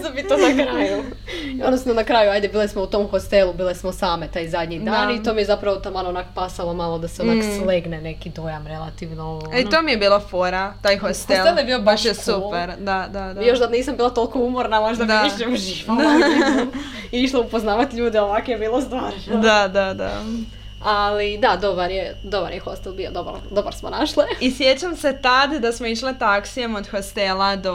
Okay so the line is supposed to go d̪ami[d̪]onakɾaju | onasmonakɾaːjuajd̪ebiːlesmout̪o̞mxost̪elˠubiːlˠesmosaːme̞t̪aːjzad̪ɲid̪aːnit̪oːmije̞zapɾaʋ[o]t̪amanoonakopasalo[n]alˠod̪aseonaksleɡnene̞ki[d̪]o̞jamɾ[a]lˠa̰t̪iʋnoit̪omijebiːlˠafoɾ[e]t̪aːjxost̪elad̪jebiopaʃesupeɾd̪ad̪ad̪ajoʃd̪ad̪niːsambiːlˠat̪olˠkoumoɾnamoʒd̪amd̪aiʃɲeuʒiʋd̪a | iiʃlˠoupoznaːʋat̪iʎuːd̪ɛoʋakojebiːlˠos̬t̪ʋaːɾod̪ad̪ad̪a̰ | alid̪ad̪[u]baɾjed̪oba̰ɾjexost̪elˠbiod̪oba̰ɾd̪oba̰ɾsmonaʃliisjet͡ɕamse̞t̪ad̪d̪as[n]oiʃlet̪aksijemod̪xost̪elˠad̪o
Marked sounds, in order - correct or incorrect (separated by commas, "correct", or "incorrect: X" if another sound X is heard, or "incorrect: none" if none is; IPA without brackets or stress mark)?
incorrect: t̪, correct, incorrect: m, correct, incorrect: e, incorrect: a, incorrect: o, incorrect: m